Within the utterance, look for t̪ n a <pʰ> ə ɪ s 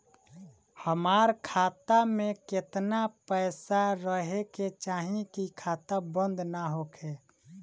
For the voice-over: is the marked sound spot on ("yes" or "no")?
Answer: no